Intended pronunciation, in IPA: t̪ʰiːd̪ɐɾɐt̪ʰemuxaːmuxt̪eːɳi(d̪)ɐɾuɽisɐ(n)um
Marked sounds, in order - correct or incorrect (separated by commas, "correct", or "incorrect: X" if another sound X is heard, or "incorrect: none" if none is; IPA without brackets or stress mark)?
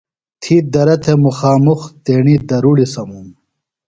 correct, incorrect: m